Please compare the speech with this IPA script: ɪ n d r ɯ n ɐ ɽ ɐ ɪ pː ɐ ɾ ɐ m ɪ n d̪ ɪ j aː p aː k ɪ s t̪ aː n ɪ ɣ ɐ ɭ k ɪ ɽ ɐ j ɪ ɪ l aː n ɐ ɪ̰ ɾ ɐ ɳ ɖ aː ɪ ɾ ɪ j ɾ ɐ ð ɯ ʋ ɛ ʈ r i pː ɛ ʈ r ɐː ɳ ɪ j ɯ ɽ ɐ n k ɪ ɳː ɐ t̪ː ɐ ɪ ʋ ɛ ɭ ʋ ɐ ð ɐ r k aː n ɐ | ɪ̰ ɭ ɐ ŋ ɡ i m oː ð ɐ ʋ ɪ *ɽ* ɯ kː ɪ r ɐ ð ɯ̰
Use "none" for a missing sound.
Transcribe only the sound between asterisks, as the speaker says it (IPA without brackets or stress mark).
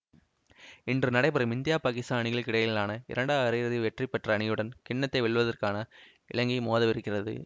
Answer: ɾ